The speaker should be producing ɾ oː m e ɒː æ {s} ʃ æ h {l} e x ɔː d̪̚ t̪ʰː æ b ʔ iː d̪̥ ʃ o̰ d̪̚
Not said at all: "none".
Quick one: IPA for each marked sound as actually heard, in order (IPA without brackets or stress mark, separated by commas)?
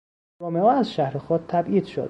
z, ɾ